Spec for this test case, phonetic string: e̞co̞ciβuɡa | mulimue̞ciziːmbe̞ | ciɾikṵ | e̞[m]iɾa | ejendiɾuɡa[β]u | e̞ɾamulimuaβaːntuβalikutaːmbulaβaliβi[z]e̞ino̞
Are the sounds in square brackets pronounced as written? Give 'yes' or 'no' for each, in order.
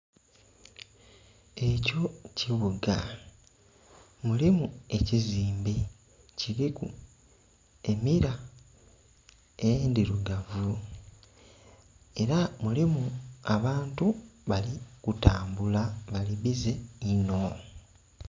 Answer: yes, no, yes

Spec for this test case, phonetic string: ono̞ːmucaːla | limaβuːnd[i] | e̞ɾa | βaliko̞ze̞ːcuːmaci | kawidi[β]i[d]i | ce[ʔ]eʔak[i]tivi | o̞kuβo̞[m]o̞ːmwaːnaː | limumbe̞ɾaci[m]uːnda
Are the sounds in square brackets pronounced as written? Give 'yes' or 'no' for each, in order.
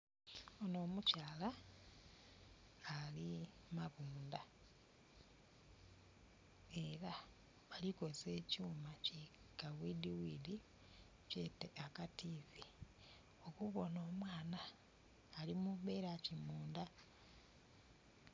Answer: no, no, yes, no, no, no, yes

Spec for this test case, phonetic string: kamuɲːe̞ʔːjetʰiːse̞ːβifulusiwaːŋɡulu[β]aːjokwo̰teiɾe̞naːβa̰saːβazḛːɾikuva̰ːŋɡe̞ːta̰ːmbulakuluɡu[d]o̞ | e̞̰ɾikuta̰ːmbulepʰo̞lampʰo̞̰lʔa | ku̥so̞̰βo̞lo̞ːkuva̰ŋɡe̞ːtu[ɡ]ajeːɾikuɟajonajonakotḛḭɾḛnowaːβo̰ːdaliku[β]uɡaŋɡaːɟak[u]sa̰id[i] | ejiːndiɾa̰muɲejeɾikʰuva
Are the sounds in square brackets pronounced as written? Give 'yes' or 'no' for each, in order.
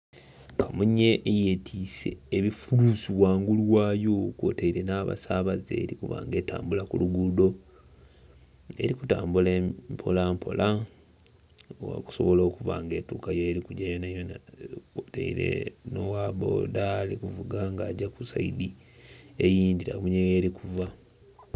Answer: no, yes, no, no, yes, yes

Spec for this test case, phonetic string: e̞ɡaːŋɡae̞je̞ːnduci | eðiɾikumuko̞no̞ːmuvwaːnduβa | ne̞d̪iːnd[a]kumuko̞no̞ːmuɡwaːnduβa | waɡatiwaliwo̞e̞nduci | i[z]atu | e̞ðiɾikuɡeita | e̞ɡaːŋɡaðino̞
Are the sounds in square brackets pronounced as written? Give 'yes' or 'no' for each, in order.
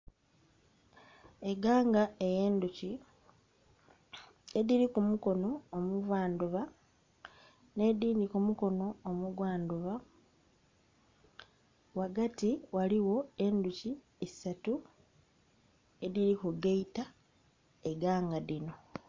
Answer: no, no

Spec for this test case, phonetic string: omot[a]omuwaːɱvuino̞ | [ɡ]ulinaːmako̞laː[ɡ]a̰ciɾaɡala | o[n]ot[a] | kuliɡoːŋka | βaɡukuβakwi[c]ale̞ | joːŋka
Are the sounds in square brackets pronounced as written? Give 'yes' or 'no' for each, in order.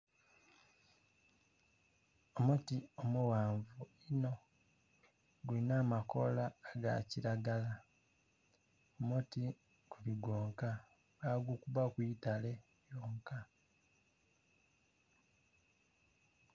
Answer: no, yes, yes, no, no, no

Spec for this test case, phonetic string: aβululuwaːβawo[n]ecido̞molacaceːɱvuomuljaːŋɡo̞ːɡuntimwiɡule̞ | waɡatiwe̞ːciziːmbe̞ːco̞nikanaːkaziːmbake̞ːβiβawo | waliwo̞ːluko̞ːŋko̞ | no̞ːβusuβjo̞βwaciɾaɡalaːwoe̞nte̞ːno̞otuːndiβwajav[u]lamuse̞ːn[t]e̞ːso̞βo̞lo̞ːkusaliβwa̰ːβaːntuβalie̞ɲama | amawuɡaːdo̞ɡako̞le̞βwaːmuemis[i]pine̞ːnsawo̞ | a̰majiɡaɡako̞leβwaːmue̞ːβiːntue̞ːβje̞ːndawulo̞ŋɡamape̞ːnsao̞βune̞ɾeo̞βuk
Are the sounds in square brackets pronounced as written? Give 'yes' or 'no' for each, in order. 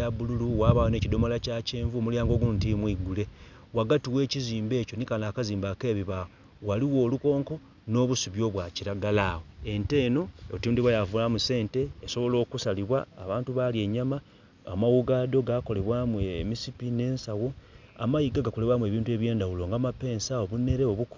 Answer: yes, yes, yes, yes

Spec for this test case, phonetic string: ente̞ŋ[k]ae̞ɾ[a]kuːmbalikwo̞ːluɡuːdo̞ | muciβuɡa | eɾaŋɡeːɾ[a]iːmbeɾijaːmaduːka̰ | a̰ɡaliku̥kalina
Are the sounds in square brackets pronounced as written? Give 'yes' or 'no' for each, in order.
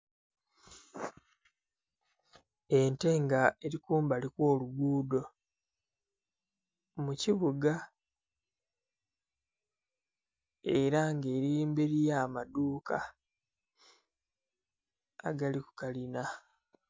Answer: no, no, no

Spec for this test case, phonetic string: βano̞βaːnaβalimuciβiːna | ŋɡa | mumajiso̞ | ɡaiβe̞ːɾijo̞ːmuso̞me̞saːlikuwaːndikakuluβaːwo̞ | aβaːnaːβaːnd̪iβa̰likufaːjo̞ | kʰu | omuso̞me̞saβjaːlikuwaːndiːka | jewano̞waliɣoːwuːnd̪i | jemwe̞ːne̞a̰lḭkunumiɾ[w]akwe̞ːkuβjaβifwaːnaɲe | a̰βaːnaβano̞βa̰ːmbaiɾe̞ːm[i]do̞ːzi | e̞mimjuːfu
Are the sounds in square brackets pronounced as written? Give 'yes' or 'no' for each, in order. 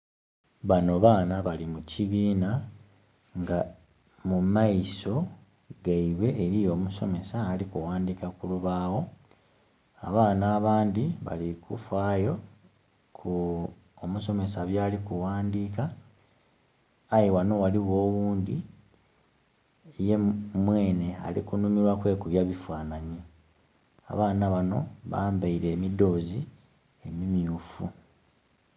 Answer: yes, yes

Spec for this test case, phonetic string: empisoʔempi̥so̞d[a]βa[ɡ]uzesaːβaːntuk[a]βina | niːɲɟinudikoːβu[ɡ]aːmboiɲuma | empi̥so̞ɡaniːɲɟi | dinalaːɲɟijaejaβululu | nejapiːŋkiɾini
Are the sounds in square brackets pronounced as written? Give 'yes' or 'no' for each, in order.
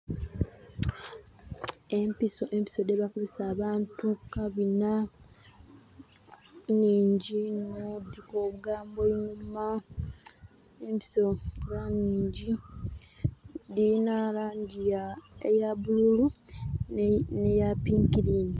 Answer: no, no, yes, yes

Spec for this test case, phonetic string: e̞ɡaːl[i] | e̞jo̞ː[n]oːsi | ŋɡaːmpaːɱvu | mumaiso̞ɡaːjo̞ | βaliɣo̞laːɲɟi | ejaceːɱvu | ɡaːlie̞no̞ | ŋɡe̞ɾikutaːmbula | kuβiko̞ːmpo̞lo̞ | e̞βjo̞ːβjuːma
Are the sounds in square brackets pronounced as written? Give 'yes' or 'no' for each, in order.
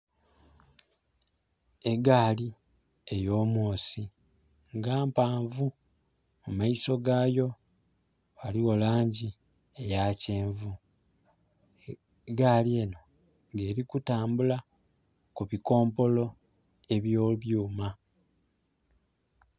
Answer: yes, no

